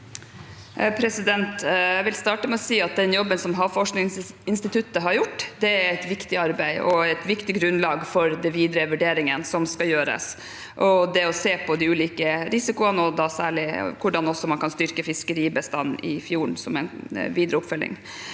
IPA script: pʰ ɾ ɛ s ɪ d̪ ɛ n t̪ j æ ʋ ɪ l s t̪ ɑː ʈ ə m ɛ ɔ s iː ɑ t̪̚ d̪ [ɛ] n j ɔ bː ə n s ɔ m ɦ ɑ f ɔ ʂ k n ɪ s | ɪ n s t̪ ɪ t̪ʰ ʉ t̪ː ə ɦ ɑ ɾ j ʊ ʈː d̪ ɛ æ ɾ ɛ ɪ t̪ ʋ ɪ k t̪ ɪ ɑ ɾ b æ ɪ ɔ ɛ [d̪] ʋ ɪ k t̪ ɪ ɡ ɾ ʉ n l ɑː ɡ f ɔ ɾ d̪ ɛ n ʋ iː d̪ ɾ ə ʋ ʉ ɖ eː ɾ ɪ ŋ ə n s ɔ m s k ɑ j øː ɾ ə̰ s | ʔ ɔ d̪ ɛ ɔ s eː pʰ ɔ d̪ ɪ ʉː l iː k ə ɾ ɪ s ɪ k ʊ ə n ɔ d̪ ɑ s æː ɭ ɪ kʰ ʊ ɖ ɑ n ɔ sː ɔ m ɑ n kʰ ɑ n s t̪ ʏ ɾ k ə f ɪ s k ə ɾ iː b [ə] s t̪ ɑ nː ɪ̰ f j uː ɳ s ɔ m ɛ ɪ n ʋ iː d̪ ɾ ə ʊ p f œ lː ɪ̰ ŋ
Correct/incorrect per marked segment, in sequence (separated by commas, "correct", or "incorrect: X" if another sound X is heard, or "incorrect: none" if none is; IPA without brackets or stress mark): correct, incorrect: t̪, correct